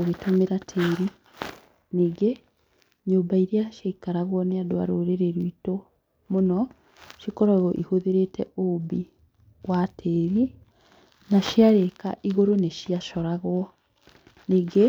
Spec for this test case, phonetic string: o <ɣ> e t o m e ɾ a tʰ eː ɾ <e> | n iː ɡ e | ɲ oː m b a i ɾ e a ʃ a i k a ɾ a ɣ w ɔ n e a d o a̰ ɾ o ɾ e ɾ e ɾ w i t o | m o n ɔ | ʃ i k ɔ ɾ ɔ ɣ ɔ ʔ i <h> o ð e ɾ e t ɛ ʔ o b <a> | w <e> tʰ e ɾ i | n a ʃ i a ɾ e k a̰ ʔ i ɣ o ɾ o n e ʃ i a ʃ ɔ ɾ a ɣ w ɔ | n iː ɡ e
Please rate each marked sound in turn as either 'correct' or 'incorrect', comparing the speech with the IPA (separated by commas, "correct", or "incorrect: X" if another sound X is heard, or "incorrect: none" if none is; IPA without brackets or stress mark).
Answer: correct, incorrect: i, correct, incorrect: i, incorrect: a